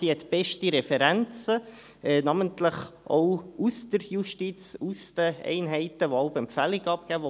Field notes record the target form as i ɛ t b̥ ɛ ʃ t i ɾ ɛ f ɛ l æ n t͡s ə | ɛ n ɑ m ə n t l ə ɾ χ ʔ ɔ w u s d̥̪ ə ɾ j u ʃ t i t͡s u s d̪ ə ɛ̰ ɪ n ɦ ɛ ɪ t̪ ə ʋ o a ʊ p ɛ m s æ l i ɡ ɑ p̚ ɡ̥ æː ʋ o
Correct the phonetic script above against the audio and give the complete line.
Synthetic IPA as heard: i ɛ t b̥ ɛ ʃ t i ɾ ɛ f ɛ ɾ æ n t͡s ə | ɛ n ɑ m ə n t l ə χ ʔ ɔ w u s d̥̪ ə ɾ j u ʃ t i t͡s u s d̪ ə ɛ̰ ɪ n ɦ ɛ ɪ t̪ ə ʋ o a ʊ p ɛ m f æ l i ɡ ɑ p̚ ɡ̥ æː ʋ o